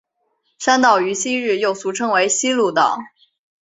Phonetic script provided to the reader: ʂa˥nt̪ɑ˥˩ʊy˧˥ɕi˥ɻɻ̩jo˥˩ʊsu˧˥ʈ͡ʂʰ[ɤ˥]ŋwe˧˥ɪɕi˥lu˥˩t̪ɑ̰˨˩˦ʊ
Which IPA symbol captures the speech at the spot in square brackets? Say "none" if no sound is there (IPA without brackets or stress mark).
ɤ˥